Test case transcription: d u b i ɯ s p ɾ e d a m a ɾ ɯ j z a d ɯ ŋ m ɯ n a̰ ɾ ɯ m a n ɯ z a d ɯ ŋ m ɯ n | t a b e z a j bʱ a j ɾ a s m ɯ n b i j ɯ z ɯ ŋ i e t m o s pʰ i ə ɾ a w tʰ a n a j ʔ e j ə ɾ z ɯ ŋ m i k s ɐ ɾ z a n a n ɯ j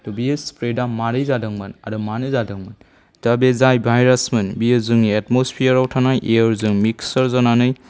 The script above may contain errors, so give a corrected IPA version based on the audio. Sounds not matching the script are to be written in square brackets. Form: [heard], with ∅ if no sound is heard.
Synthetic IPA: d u b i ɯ s p ɾ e d a m a ɾ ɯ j z a d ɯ ŋ m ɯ n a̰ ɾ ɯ m a n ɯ z a d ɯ ŋ m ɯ n | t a b e z a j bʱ a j ɾ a s m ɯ n b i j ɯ z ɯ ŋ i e t m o s pʰ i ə ɾ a w tʰ a n a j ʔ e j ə ɾ z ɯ ŋ m i k s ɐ ɾ z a n a n ɯ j